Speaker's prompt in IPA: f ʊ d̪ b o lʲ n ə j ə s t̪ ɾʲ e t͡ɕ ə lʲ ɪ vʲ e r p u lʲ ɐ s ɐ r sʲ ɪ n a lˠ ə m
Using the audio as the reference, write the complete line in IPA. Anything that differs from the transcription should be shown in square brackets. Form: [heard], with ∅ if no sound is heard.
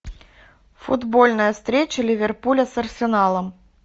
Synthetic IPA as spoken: f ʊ d̪ b o lʲ n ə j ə s t̪ ɾʲ e t͡ɕ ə lʲ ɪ vʲ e r p u lʲ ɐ s ɐ r sʲ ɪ n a lˠ ə m